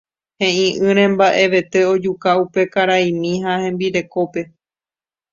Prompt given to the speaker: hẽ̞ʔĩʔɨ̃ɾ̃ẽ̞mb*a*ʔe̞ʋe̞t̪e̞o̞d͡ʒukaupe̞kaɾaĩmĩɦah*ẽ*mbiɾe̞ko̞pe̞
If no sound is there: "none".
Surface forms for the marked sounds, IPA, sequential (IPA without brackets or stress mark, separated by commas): a, ẽ